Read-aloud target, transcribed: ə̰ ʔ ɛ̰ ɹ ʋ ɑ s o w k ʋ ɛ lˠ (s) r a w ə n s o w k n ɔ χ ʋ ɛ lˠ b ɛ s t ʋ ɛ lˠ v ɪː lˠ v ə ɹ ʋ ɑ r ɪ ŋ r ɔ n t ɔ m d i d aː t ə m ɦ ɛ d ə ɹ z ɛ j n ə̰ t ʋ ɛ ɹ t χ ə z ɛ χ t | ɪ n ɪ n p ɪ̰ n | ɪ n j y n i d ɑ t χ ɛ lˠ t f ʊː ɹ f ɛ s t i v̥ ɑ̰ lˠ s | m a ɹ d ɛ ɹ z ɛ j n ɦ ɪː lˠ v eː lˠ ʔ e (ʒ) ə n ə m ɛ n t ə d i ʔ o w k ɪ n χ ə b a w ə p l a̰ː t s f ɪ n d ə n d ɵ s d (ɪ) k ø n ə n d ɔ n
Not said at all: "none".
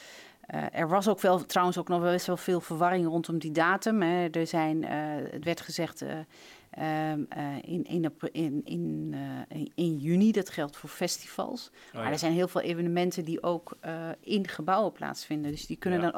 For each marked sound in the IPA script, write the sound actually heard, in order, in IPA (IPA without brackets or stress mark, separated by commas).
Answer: t, v, i